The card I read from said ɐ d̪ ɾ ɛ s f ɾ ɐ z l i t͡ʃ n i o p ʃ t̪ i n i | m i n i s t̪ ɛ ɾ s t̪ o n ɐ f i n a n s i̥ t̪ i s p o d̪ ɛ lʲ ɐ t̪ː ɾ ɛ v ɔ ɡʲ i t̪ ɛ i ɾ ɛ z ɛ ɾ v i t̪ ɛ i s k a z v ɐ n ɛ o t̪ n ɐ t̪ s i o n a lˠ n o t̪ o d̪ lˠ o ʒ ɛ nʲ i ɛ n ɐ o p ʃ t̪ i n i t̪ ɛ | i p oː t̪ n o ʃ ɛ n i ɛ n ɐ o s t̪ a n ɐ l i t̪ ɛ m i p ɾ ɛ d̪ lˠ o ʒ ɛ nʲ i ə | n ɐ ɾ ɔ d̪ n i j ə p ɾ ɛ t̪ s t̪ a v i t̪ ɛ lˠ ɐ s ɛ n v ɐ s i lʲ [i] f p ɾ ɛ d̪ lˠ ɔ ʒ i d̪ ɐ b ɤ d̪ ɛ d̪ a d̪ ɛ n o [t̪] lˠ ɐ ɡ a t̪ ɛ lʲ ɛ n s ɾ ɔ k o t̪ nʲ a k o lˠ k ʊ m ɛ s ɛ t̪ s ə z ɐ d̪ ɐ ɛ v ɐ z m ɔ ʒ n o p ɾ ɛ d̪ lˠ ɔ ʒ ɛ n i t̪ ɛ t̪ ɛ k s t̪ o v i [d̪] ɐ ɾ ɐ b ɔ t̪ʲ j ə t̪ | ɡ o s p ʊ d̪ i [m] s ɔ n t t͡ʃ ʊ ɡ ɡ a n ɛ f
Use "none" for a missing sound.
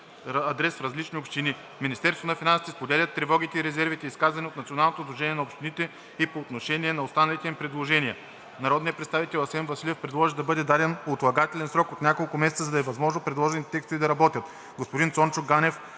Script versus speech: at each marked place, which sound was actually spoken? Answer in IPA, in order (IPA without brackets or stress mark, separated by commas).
ɛ, t̪, d̪, n